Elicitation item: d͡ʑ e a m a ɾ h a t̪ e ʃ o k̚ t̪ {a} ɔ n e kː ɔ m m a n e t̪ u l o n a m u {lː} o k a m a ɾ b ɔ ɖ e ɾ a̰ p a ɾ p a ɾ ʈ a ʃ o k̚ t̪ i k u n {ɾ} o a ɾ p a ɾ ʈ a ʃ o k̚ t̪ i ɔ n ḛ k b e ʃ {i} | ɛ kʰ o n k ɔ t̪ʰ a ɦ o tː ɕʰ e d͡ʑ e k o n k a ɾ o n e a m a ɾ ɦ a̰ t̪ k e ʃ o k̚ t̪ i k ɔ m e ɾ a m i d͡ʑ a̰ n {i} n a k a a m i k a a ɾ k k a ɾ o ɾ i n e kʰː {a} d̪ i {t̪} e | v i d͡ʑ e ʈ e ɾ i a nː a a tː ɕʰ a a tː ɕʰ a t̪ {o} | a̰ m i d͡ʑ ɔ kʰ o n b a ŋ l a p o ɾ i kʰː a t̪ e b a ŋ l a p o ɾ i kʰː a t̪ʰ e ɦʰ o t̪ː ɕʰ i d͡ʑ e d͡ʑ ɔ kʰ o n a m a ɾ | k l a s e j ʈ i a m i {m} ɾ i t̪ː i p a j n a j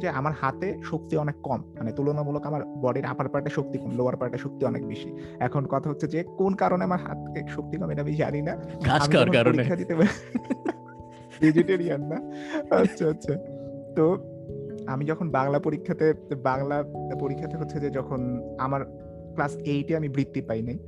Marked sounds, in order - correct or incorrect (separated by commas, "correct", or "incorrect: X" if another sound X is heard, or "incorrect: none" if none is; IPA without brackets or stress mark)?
incorrect: i, incorrect: l, incorrect: l, correct, correct, correct, correct, correct, incorrect: b